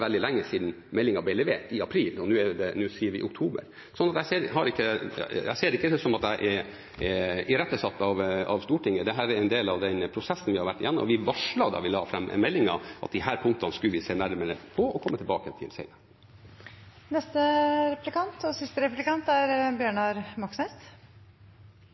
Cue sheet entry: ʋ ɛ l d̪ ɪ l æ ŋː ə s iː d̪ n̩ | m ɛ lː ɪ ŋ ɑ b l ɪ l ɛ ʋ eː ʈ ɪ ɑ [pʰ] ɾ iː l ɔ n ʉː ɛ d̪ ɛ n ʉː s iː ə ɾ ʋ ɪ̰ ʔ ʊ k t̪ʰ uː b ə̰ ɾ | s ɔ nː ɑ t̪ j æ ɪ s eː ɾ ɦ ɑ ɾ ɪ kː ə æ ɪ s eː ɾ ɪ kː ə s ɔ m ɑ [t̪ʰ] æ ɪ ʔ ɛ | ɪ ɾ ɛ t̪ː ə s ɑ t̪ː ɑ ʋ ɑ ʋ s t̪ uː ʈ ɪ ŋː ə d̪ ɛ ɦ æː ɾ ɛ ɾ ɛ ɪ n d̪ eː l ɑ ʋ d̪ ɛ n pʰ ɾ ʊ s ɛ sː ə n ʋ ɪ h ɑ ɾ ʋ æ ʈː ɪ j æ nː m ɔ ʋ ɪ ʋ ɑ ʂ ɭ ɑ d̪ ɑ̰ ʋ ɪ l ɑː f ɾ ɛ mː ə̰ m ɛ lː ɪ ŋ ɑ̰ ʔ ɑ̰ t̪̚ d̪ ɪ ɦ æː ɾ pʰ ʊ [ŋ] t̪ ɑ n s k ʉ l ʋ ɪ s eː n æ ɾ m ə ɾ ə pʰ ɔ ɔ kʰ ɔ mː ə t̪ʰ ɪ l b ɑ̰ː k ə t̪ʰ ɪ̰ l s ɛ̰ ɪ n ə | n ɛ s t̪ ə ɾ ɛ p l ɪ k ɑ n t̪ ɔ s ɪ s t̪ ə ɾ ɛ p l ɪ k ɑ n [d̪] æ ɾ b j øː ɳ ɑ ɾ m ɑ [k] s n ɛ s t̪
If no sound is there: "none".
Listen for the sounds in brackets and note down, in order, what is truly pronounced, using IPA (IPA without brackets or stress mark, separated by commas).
pʰ, t̪, ŋ, t̪, k